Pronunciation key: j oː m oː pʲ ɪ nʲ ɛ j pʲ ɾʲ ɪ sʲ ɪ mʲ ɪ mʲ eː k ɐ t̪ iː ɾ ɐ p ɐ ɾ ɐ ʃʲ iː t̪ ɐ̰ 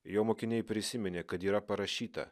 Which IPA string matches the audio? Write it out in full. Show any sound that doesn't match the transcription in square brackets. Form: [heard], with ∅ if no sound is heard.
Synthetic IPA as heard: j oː m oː [kʲ] ɪ nʲ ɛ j pʲ ɾʲ ɪ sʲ ɪ mʲ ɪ [nʲ] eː k ɐ t̪ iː ɾ ɐ p ɐ ɾ ɐ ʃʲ iː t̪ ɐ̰